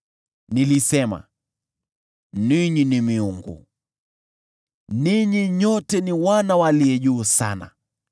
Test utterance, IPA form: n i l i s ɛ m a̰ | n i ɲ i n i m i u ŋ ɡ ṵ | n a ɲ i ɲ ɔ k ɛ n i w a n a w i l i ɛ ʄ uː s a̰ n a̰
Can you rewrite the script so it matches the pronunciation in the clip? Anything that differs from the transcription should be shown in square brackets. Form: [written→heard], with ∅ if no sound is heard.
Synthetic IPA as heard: n i l i s ɛ m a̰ | n i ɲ i n i m i u ŋ ɡ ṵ | n [a→i] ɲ i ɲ ɔ [k→t] ɛ n i w a n a w [i→a] l i ɛ ʄ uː s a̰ n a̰